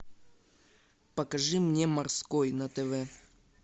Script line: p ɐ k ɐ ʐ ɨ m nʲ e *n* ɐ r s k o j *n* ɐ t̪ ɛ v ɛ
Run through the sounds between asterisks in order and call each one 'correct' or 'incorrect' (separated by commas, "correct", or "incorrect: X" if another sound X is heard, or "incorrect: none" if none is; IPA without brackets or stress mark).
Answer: incorrect: m, correct